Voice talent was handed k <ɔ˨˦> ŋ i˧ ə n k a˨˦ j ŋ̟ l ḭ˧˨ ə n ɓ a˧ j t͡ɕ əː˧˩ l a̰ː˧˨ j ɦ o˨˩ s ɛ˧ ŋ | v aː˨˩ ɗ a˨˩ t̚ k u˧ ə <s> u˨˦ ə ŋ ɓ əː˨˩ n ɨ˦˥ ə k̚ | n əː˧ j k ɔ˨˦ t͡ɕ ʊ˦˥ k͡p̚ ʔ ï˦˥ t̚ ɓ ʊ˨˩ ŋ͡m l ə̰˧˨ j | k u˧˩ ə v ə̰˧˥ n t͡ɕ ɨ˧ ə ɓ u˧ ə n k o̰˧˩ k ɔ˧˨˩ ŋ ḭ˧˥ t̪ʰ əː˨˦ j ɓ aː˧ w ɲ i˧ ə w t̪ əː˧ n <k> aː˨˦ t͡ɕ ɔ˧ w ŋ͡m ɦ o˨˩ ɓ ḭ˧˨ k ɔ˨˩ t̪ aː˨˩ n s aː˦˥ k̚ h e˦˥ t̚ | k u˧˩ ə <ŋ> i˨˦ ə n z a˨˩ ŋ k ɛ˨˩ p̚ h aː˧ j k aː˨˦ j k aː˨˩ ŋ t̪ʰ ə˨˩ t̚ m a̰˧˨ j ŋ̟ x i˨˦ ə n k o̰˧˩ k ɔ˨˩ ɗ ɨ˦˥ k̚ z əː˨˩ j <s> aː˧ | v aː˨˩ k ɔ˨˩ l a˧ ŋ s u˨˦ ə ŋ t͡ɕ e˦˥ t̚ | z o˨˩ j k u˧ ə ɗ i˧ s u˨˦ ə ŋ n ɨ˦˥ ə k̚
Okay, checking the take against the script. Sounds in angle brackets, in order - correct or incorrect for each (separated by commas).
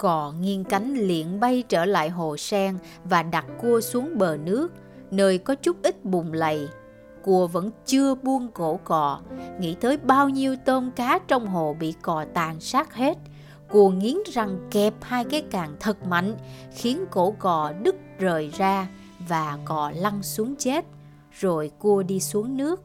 incorrect, correct, correct, correct, incorrect